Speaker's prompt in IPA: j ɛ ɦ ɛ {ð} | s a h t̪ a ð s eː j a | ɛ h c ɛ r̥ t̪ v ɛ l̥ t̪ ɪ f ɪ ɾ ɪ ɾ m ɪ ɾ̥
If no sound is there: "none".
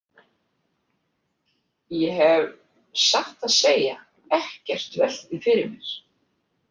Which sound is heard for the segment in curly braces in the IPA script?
v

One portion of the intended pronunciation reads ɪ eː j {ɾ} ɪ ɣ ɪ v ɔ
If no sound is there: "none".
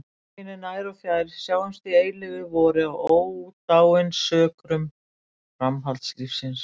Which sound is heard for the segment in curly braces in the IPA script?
l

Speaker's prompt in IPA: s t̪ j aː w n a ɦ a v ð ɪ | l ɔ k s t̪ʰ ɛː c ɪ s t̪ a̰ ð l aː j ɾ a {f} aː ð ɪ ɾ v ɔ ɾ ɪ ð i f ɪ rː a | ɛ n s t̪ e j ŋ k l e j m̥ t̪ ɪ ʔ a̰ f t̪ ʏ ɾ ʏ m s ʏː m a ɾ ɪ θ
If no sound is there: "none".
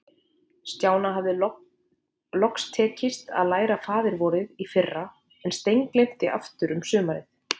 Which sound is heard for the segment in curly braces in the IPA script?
f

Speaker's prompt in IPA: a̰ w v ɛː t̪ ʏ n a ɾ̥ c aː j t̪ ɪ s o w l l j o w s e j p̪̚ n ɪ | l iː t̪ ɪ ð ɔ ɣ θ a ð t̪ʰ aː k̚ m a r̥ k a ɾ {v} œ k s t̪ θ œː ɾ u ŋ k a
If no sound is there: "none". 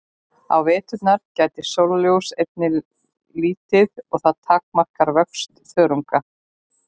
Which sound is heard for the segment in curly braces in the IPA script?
v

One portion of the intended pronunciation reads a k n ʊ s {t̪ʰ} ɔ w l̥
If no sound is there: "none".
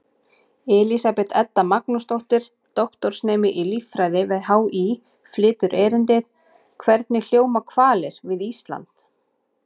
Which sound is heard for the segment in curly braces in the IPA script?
t̪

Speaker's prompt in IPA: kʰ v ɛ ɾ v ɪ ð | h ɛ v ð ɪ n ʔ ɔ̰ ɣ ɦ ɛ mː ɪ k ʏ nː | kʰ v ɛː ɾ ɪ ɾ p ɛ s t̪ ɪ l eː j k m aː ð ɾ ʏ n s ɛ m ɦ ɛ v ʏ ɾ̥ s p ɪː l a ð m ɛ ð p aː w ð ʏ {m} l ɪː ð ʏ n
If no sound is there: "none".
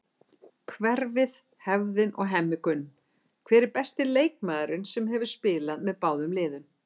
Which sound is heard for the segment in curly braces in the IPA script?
m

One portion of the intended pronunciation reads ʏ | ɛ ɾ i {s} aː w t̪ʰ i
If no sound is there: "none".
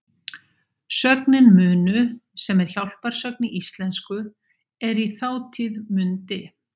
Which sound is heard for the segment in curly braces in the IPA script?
θ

